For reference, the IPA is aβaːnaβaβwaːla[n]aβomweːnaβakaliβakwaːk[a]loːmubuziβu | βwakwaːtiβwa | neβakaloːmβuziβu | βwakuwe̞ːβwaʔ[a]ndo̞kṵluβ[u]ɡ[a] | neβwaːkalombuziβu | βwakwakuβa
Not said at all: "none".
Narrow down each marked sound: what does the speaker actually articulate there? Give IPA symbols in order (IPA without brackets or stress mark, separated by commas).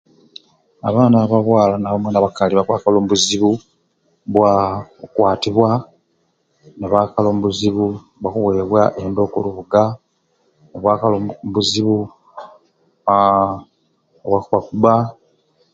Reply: n, a, e, u, a